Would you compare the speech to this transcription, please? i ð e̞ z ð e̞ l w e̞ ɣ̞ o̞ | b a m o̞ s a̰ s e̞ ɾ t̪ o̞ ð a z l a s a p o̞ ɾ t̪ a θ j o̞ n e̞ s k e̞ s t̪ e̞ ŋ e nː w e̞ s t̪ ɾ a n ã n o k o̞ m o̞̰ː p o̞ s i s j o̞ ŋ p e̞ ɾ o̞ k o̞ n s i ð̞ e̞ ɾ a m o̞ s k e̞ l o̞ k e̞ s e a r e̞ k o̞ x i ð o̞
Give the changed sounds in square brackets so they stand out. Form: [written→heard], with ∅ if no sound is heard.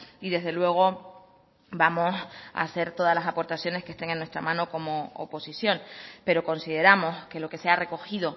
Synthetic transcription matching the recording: i ð e̞ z ð e̞ l w e̞ ɣ̞ o̞ | b a m o̞ s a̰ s e̞ ɾ t̪ o̞ ð a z l a s a p o̞ ɾ t̪ a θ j o̞ n e̞ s k e̞ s t̪ e̞ ŋ e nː w e̞ s t̪ ɾ a [n→m] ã n o k o̞ m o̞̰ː p o̞ s i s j o̞ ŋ p e̞ ɾ o̞ k o̞ n s i ð̞ e̞ ɾ a m o̞ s k e̞ l o̞ k e̞ s e a r e̞ k o̞ x i ð o̞